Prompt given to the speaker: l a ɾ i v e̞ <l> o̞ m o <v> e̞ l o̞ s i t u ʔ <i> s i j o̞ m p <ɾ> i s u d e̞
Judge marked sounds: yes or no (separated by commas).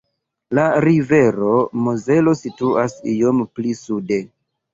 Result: no, no, no, no